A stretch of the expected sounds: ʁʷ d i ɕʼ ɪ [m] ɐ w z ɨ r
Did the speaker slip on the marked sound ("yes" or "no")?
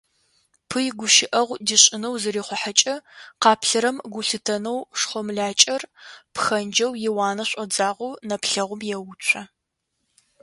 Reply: yes